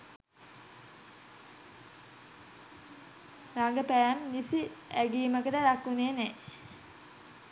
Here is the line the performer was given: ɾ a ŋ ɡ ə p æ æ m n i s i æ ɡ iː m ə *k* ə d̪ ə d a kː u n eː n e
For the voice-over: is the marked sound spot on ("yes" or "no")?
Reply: yes